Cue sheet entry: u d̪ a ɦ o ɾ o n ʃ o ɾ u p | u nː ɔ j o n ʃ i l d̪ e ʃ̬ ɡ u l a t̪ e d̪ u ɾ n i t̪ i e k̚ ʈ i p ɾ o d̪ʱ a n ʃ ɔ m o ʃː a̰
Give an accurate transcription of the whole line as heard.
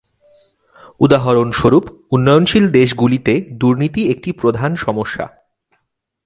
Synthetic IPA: u d̪ a ɦ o ɾ o n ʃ o ɾ u p | u nː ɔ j o n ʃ i l d̪ e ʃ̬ ɡ u l i t̪ e d̪ u ɾ n i t̪ i e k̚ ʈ i p ɾ o d̪ʱ a n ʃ ɔ m o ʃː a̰